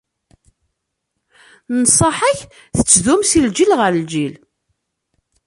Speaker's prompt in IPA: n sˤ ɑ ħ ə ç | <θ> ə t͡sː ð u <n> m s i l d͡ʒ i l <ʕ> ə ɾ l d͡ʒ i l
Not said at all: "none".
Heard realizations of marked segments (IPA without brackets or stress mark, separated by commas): θ, none, ʁ